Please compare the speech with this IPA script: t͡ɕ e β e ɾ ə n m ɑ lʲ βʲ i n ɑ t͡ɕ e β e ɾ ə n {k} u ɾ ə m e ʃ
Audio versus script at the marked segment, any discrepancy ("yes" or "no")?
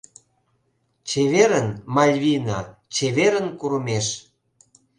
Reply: no